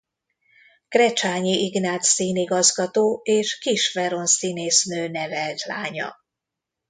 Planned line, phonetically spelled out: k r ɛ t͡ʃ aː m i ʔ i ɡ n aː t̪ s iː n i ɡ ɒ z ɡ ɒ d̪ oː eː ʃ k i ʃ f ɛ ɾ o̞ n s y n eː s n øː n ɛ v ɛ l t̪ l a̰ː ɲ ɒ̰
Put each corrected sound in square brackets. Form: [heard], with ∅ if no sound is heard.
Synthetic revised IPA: k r ɛ t͡ʃ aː [ɲ] i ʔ i ɡ n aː t̪ s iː n i ɡ ɒ z ɡ ɒ [t̪] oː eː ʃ k i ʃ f ɛ ɾ o̞ n s [i] n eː s n øː n ɛ v ɛ l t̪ l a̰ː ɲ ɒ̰

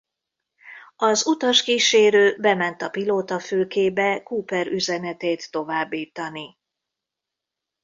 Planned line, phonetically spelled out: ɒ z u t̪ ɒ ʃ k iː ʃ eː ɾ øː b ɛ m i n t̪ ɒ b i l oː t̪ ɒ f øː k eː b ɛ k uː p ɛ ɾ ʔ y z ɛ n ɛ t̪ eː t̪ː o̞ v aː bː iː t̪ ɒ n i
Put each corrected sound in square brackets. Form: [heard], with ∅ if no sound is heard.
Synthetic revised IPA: ɒ z u t̪ ɒ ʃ k iː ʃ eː ɾ øː b ɛ m [ɛ] n t̪ ɒ [p] i l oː t̪ ɒ f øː k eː b ɛ k uː p ɛ ɾ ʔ y z ɛ n ɛ t̪ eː t̪ː o̞ v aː bː iː t̪ ɒ n i

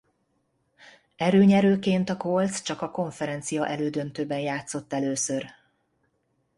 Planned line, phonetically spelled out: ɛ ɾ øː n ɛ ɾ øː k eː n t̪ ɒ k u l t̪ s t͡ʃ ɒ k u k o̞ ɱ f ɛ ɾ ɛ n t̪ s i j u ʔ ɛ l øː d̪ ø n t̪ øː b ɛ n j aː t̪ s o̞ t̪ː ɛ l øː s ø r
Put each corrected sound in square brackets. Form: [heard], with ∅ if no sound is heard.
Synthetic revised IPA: ɛ ɾ øː [ɲ] ɛ ɾ øː k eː n t̪ ɒ k [o] l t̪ s t͡ʃ ɒ k [ɒ] k o̞ ɱ f ɛ ɾ ɛ n t̪ s i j [ɒ] ʔ ɛ l øː d̪ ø n t̪ øː b ɛ n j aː t̪ s o̞ t̪ː ɛ l øː s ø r

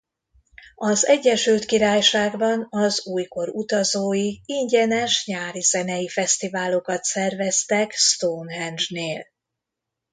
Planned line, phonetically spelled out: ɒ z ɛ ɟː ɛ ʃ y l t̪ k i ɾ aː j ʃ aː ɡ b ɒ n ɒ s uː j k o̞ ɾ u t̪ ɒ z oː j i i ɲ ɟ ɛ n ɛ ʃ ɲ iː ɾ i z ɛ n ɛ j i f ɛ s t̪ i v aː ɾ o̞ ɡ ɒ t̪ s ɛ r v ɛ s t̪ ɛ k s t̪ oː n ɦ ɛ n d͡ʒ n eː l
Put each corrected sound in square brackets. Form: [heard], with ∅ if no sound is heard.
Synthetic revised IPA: ɒ z ɛ ɟː ɛ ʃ y l t̪ k i ɾ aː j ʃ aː ɡ b ɒ n ɒ [z] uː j k o̞ ɾ u t̪ ɒ z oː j i i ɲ ɟ ɛ n ɛ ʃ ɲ [aː] ɾ i z ɛ n ɛ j i f ɛ s t̪ i v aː [l] o̞ [k] ɒ t̪ s ɛ r v ɛ s t̪ ɛ k s t̪ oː n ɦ ɛ n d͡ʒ n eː l

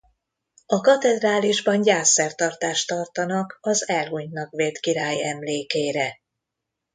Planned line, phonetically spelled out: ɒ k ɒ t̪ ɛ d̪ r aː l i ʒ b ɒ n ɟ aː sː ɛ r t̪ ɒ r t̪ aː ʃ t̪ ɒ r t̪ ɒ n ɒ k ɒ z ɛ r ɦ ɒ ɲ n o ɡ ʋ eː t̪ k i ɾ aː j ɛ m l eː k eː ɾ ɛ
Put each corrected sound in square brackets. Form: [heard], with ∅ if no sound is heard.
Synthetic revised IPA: ɒ k ɒ t̪ ɛ d̪ r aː l i ʒ b ɒ n ɟ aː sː ɛ r t̪ ɒ r t̪ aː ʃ t̪ ɒ r t̪ ɒ n ɒ k ɒ z ɛ [l] ɦ [u] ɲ n [ɒ] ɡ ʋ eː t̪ k i ɾ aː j ɛ m l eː k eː ɾ ɛ

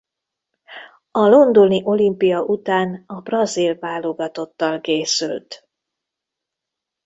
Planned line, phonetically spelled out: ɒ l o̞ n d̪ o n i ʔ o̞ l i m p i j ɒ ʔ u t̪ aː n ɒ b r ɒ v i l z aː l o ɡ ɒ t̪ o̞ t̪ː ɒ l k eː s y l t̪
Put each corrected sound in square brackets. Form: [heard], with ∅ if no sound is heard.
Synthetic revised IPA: ɒ l o̞ n d̪ o n i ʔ o̞ l i m p i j ɒ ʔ u t̪ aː n ɒ b r ɒ [z] i l [v] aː l o ɡ ɒ t̪ o̞ t̪ː ɒ l k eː s y l t̪

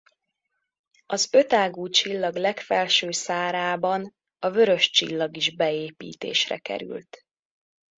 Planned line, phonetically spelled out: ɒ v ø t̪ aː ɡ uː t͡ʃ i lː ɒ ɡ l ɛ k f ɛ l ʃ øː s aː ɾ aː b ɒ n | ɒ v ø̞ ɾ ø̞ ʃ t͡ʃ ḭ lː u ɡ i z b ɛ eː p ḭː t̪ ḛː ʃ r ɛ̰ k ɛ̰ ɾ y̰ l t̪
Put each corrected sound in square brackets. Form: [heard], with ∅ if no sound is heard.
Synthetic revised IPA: ɒ [z] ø t̪ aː ɡ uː t͡ʃ i lː ɒ ɡ l ɛ k f ɛ l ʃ øː s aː ɾ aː b ɒ n | ɒ v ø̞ ɾ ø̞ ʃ t͡ʃ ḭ lː [ɒ] ɡ i [ʒ] b ɛ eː p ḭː t̪ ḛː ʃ r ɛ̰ k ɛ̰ ɾ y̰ l t̪

